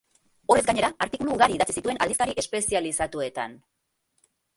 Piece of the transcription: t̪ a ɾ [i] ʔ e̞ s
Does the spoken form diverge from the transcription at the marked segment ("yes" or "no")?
no